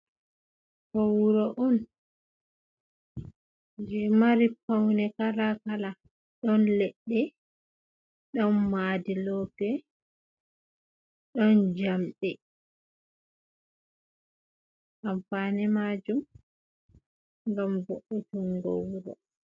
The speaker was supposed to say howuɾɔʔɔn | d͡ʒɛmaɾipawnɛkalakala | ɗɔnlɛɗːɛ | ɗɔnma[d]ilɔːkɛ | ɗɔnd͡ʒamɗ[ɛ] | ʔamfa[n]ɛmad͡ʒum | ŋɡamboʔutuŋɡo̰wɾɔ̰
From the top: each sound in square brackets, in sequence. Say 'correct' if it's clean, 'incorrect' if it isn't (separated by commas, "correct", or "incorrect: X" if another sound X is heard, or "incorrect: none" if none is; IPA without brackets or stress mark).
correct, correct, correct